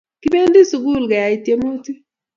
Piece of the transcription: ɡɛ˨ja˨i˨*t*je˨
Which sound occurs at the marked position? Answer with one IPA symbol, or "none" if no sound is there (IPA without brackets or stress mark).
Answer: t